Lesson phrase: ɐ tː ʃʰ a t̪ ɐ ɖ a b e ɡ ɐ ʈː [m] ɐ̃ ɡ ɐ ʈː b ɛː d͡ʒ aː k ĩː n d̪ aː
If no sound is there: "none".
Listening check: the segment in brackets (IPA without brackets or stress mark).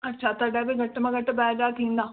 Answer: m